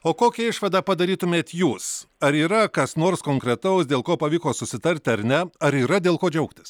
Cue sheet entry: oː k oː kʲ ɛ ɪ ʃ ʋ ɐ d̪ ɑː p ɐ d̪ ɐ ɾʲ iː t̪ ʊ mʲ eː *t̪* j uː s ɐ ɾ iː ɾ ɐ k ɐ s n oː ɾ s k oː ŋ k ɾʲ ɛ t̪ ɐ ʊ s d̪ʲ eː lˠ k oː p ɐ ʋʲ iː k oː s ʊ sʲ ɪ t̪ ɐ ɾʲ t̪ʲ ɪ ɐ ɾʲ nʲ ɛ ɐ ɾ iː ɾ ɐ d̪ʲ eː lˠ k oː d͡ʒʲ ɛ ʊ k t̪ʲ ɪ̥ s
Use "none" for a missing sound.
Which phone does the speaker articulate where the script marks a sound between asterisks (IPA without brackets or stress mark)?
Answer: t̪